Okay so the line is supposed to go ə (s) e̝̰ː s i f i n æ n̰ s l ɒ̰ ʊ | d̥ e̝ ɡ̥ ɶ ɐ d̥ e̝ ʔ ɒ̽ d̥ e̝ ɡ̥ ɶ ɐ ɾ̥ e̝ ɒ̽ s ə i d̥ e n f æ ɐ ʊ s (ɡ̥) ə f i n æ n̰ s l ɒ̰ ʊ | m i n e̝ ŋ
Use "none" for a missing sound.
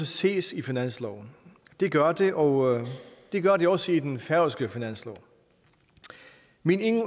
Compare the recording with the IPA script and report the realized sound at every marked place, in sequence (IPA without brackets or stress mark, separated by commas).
s, ɡ̥